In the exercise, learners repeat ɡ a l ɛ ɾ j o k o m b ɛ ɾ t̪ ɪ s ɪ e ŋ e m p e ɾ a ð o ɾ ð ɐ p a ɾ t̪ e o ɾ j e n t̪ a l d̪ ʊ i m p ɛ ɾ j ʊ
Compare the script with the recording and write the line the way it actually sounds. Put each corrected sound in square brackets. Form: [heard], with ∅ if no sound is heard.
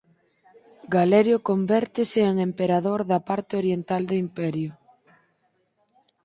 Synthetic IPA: ɡ a l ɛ ɾ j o k o m b ɛ ɾ t̪ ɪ s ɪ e ŋ e m p e ɾ a ð o ɾ ð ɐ p a ɾ t̪ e o ɾ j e n t̪ a l d̪ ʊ i m p ɛ ɾ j ʊ

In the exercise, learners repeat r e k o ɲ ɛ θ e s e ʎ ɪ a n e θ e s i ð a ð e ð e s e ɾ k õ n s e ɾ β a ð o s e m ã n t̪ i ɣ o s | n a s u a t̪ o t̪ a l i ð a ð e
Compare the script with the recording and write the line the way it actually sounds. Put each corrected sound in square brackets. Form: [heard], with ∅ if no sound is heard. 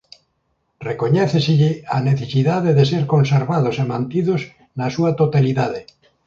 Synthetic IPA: r e k o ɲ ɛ θ e s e ʎ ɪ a n e θ e s i ð a ð e ð e s e ɾ k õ n s e ɾ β a ð o s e m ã n t̪ i [ð] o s | n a s u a t̪ o t̪ a l i ð a ð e

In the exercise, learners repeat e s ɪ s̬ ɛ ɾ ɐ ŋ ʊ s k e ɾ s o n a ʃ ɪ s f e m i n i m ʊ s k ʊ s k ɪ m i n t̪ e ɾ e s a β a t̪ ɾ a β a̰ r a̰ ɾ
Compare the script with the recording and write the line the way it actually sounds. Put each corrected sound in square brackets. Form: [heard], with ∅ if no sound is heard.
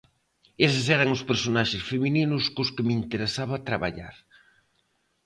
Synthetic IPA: e s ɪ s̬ ɛ ɾ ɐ ŋ ʊ s [p] e ɾ s o n a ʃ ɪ s f e m i n i [n] ʊ s k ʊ s k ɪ m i n t̪ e ɾ e s a β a t̪ ɾ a β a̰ [ʎ] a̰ ɾ

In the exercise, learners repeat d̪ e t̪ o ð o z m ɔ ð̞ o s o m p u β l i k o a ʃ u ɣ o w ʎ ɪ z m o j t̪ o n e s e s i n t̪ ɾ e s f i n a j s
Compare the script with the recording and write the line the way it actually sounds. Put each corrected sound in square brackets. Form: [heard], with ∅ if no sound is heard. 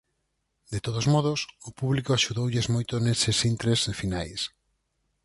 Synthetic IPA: d̪ e t̪ o ð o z m ɔ ð̞ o s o [∅] p u β l i k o a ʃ u [ð] o w ʎ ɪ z m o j t̪ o n e s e s i n t̪ ɾ e s f i n a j s

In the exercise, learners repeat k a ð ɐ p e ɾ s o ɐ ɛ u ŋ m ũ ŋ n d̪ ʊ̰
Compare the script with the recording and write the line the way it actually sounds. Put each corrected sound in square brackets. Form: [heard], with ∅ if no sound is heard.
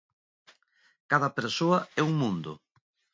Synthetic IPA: k a ð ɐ p e ɾ s o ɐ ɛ u ŋ m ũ [∅] n d̪ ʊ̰

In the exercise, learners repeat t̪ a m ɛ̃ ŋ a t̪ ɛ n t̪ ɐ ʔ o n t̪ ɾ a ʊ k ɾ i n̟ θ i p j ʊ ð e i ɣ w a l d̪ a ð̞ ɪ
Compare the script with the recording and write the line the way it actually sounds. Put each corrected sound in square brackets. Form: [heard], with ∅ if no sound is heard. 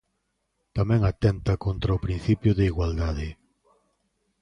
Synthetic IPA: t̪ a m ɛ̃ ŋ a t̪ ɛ n t̪ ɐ [k] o n t̪ ɾ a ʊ [p] ɾ i n̟ θ i p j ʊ ð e i ɣ w a l d̪ a ð̞ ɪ

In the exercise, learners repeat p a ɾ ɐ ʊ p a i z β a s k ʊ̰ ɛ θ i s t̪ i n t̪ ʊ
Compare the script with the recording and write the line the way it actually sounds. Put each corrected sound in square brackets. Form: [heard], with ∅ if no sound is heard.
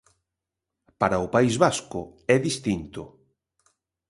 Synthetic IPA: p a ɾ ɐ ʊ p a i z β a s k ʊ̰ ɛ [ð] i s t̪ i n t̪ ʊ

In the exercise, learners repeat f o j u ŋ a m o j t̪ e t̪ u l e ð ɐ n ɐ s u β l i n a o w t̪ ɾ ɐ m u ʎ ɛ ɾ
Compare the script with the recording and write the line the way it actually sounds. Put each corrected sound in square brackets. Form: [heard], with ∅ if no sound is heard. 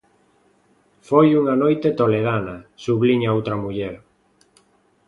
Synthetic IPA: f o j u ŋ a [n] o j t̪ e t̪ [o] l e ð [a] n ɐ s u β l i [ɲ] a o w t̪ ɾ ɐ m u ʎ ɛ ɾ

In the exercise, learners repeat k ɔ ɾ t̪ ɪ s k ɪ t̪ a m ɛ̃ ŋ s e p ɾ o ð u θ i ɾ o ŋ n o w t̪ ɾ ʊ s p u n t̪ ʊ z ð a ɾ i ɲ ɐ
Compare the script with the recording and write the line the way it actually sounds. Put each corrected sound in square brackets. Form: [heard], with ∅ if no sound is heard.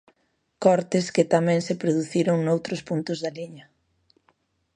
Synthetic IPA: k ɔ ɾ t̪ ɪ s k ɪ t̪ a m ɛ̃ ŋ s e p ɾ o ð u θ i ɾ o ŋ n o w t̪ ɾ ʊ s p u n t̪ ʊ z ð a [l] i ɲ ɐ

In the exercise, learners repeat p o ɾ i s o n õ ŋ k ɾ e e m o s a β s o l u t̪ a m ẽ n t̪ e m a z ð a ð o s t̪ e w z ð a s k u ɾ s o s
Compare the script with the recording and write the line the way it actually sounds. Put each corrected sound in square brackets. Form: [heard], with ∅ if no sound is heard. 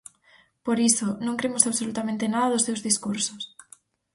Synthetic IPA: p o ɾ i s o n õ ŋ k ɾ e e m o s a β s o l u t̪ a m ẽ n t̪ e [n] a [∅] ð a ð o s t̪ e w z ð [i] s k u ɾ s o s

